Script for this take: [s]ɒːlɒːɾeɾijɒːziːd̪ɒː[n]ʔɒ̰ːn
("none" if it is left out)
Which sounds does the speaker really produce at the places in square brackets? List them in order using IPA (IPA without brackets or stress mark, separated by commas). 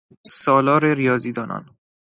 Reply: s, n